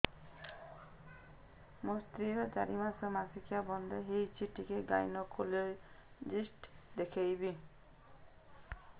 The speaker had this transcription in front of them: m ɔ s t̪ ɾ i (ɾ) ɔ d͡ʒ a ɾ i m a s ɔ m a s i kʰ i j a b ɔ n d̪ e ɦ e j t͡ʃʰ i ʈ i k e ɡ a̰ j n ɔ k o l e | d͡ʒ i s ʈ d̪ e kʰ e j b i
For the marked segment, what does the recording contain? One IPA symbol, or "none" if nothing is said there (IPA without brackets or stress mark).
ɾ